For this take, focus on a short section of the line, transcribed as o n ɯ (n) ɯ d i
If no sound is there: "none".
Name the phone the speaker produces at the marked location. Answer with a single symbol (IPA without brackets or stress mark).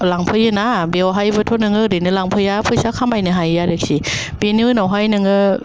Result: ŋ